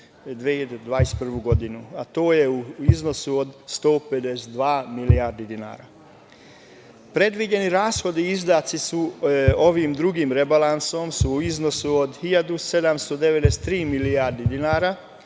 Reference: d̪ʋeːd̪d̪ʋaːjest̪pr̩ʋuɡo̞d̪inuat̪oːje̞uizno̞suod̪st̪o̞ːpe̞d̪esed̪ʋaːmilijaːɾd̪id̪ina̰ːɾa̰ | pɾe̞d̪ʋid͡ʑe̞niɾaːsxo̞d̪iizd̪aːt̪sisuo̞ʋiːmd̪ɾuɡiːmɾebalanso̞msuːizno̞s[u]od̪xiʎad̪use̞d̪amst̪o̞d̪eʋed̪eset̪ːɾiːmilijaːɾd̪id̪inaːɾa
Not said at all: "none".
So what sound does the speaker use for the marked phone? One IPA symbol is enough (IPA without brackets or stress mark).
u